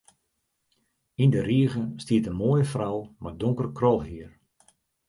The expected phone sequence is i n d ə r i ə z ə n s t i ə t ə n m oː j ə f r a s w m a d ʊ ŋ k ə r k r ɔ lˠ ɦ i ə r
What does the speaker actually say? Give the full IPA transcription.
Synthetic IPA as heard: i n d ə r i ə ɣ ə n s t i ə t ə n m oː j ə f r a w m a d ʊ ŋ k ə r k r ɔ lˠ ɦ i ə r